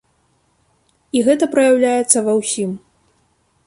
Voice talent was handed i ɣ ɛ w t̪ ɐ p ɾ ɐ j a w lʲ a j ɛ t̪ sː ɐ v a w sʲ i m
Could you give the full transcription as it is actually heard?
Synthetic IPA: i ɣ ɛ t̪ ɐ p ɾ ɐ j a w lʲ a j ɛ t̪ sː ɐ v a w sʲ i m